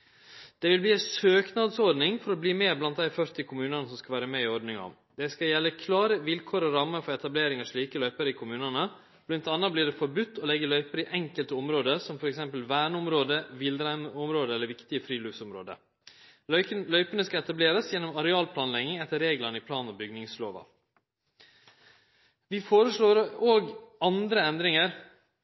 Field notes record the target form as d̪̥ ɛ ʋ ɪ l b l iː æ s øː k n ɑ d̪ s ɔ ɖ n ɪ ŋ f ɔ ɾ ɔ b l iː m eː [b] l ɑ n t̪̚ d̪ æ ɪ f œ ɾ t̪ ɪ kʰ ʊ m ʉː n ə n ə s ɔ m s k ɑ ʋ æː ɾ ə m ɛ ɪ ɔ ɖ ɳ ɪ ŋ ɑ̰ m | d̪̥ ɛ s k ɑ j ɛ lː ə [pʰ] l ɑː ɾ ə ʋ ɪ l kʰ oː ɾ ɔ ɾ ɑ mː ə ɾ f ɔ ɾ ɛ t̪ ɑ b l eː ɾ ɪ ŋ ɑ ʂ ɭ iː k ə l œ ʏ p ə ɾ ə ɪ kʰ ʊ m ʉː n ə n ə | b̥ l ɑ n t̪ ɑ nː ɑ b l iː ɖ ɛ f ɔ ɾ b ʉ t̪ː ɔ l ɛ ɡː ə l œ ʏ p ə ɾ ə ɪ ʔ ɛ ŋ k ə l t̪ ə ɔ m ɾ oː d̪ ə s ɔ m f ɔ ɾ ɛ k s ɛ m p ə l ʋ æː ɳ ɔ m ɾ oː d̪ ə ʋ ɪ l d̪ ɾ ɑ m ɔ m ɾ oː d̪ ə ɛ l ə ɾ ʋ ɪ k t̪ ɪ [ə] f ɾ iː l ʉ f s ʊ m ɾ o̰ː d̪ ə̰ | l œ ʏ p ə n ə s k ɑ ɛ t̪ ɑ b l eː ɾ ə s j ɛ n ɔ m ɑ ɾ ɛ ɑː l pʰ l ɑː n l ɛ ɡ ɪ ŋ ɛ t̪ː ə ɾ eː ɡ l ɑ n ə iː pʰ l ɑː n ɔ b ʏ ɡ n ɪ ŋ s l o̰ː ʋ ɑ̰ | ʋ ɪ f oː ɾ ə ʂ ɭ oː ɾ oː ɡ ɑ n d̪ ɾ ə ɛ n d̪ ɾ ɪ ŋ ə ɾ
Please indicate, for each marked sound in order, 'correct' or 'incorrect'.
correct, incorrect: kʰ, correct

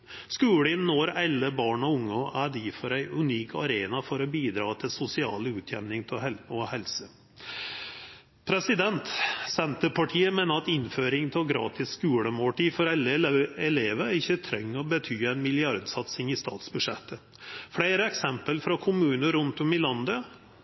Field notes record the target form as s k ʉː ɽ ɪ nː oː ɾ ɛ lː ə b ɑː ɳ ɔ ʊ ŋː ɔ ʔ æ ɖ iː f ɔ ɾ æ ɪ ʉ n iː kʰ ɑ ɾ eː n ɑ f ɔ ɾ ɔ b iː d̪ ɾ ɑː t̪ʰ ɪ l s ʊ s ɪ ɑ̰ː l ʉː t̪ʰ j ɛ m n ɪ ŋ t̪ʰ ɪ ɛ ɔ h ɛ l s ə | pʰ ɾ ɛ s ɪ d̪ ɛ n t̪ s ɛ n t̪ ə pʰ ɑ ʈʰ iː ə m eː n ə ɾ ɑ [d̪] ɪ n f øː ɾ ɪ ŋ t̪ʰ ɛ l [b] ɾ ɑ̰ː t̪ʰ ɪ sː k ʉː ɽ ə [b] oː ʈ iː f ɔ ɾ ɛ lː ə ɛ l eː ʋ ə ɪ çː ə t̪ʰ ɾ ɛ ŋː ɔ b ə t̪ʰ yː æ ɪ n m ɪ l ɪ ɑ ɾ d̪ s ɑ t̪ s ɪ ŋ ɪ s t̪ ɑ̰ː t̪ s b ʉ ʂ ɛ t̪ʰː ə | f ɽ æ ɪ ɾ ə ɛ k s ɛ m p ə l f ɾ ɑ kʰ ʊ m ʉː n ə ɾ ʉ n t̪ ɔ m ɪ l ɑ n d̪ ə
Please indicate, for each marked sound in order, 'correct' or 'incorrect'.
incorrect: t̪, incorrect: ɡ, incorrect: m

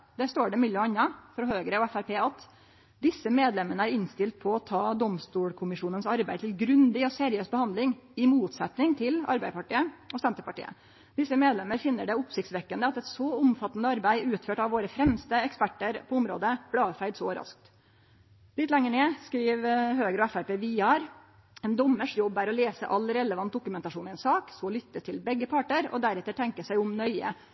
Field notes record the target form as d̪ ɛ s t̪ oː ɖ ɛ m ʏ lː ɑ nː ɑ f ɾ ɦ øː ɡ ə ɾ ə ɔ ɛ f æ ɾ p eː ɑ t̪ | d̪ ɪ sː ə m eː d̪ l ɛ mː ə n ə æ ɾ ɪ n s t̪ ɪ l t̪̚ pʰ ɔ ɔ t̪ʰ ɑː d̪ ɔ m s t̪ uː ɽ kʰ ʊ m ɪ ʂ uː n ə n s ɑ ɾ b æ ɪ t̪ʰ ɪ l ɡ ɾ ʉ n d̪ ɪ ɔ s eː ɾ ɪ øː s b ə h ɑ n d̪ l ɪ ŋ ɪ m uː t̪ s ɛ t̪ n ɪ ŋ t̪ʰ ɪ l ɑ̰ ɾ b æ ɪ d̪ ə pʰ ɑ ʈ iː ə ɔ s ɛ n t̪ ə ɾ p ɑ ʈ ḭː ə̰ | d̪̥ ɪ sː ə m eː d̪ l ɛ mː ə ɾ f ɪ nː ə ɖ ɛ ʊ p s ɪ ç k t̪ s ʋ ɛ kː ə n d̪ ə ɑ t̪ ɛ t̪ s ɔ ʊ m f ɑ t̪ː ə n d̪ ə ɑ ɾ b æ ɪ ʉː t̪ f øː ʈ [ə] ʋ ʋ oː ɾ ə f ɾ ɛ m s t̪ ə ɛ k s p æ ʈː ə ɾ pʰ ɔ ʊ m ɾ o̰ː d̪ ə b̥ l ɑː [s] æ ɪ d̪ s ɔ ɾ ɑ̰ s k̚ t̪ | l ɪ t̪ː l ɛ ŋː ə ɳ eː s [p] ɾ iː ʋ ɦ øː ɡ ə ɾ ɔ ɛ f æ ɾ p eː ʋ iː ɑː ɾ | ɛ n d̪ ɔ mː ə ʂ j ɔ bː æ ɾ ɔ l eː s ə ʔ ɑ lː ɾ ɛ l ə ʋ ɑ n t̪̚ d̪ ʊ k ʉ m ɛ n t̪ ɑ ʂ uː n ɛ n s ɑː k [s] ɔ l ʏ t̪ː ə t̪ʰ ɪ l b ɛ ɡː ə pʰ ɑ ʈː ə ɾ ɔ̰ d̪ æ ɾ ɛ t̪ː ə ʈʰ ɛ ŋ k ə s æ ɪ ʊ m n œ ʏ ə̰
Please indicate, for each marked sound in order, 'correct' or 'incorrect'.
incorrect: ɑ, incorrect: f, incorrect: k, correct

